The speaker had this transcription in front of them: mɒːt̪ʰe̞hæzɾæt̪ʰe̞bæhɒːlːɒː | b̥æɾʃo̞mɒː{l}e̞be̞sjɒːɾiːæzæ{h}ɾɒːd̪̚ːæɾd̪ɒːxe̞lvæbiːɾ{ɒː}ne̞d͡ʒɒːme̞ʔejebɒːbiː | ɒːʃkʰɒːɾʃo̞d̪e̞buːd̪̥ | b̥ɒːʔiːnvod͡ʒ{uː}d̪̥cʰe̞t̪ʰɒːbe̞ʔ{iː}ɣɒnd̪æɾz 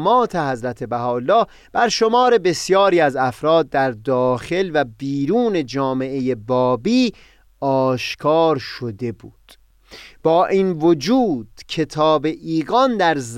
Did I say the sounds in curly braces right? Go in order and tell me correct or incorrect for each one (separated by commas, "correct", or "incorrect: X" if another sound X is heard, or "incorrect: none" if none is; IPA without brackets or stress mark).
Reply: incorrect: ɾ, incorrect: f, incorrect: uː, correct, correct